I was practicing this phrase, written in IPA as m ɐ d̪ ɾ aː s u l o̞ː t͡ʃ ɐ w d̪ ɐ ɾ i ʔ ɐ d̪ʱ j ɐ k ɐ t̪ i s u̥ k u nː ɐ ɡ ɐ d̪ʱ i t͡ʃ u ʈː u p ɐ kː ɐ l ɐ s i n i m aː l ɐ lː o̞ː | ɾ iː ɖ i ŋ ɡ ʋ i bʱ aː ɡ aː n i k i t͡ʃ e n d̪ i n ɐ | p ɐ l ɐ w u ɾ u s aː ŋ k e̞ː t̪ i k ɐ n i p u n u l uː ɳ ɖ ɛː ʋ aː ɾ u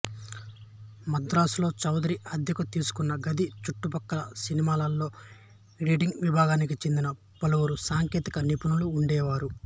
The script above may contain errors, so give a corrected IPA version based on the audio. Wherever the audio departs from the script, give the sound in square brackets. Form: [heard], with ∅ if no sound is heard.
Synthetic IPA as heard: m ɐ d̪ ɾ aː s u l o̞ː t͡ʃ ɐ w d̪ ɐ ɾ i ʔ ɐ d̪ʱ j ɐ k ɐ t̪ [iː] s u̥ k u nː ɐ ɡ ɐ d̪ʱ i t͡ʃ u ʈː u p ɐ kː ɐ l ɐ s i n i m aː l ɐ lː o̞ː | ɾ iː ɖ i ŋ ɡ ʋ i bʱ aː ɡ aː n i k i t͡ʃ e n d̪ i n ɐ | p ɐ l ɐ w u ɾ u s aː ŋ k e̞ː t̪ i k ɐ n i p u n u l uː ɳ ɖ ɛː ʋ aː ɾ u